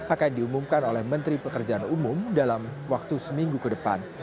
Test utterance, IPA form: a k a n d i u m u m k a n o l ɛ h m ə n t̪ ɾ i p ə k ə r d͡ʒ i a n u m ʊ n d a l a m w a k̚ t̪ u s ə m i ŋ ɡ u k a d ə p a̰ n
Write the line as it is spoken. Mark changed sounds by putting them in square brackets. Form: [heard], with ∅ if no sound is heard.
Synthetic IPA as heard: a k a n d i u m u m k a n o l ɛ h m ə n t̪ ɾ i p ə k ə r d͡ʒ [a] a n u m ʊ [m] d a l a m w a k̚ t̪ u s ə m i ŋ ɡ u k [ə] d ə p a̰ n